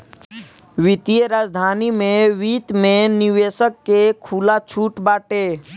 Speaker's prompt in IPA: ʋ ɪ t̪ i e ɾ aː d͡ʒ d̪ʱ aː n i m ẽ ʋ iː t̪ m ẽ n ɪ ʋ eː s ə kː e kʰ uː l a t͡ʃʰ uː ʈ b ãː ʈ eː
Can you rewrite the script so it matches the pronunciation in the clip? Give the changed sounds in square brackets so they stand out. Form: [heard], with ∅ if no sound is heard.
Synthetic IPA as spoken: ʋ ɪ t̪ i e ɾ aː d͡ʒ d̪ʱ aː n i m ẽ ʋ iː t̪ m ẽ n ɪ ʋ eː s ə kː e kʰ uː l a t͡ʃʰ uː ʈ b [aː] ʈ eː